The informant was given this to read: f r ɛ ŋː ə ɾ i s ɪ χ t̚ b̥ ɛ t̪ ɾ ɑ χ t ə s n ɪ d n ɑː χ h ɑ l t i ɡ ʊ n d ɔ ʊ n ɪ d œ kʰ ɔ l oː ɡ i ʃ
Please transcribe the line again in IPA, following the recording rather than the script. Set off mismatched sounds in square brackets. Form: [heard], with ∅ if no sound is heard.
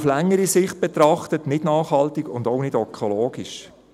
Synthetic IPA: f [l] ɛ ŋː ə ɾ i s ɪ χ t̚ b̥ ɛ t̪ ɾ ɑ χ t ə [t] n ɪ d n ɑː χ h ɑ l t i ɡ ʊ n d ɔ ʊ n ɪ d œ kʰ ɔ l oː ɡ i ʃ